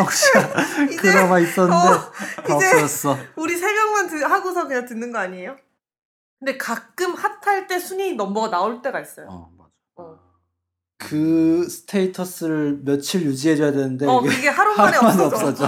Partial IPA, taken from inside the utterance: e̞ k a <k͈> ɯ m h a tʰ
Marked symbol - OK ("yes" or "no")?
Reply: yes